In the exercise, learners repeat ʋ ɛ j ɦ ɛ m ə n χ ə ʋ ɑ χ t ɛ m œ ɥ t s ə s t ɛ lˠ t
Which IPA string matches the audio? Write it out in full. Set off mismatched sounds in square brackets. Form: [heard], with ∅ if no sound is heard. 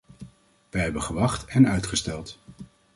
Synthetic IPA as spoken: ʋ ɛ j ɦ ɛ [b] ə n χ ə ʋ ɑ χ t ɛ [n] œ ɥ t [χ] ə s t ɛ lˠ t